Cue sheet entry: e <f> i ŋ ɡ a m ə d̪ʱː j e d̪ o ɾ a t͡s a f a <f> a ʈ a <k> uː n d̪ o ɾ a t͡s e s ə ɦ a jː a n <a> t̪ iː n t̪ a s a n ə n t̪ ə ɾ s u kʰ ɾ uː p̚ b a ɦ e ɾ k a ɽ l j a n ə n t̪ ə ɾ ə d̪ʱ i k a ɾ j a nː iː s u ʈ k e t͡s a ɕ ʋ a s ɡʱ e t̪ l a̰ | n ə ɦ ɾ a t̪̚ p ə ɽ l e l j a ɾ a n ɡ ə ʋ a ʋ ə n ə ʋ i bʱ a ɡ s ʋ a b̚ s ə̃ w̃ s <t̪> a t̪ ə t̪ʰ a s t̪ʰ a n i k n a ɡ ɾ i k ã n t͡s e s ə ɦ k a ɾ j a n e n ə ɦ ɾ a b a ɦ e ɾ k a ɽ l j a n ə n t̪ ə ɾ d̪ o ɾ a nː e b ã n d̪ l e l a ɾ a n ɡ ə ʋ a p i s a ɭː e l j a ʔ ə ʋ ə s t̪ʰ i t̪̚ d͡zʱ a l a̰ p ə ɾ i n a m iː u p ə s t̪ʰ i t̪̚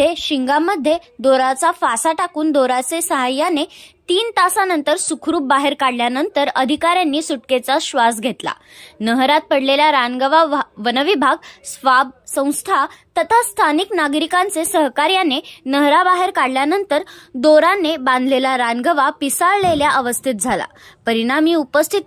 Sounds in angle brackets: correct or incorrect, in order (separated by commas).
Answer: incorrect, incorrect, correct, incorrect, incorrect